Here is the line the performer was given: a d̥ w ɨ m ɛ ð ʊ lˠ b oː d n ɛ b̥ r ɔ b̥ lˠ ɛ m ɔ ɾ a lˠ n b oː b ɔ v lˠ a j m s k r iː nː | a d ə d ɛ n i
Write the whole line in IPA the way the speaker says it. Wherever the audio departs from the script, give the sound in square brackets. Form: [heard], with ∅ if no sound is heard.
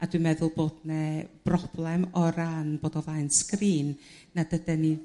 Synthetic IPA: a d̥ w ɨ m ɛ ð ʊ lˠ b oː d n ɛ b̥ r ɔ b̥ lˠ ɛ m ɔ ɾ a [∅] n b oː [d] ɔ v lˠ a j [n] s k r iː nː | a d ə d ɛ n i